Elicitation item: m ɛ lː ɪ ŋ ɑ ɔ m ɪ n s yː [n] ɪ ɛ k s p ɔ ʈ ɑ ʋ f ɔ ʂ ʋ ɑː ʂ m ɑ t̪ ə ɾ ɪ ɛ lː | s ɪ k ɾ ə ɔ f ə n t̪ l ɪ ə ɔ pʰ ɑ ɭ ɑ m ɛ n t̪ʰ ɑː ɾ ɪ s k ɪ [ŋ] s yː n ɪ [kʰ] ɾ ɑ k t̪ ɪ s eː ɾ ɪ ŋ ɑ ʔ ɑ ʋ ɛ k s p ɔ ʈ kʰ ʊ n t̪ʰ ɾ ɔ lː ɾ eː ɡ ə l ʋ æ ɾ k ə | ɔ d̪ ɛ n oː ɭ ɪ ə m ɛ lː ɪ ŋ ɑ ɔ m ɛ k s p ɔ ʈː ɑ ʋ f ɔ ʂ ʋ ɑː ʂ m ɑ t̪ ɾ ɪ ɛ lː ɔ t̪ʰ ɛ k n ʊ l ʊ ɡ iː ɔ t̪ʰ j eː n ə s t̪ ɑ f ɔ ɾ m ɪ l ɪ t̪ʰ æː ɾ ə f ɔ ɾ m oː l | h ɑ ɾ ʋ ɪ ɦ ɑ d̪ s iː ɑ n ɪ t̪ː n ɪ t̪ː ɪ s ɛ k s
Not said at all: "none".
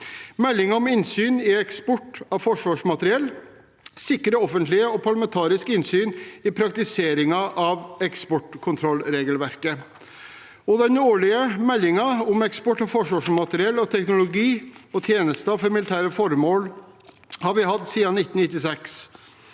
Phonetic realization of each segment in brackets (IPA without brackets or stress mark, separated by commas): n, n, pʰ